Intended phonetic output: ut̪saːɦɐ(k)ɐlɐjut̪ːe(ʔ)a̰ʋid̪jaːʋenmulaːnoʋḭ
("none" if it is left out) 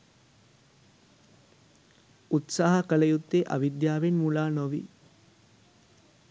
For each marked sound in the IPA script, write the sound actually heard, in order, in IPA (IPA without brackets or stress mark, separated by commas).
k, ʔ